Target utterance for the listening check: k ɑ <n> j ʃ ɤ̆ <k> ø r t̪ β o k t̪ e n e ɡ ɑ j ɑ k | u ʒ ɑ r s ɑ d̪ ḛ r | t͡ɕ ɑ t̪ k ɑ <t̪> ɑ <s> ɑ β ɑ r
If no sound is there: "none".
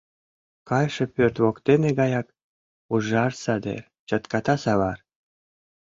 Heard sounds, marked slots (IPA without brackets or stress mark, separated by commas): none, p, t̪, s